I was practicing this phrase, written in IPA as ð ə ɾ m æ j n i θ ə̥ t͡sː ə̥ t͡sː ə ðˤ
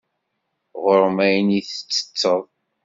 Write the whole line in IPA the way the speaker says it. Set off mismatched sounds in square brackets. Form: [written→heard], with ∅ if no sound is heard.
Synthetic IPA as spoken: [ð→ʁ] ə ɾ m æ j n i θ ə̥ t͡sː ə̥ t͡sː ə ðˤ